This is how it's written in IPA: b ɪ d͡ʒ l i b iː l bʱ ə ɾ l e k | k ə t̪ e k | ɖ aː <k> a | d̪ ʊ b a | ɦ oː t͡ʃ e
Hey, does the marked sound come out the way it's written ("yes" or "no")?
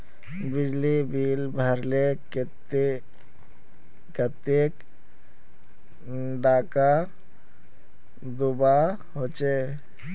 yes